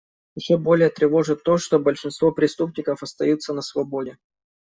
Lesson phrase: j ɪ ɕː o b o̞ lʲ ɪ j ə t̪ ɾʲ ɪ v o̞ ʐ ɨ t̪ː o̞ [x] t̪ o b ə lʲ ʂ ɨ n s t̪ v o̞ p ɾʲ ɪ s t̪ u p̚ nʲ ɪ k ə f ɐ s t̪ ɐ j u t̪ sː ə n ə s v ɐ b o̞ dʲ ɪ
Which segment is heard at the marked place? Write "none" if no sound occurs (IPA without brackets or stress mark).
ʂ